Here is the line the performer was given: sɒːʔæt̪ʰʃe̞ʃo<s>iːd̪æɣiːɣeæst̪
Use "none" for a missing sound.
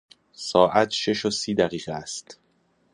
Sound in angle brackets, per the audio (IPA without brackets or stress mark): s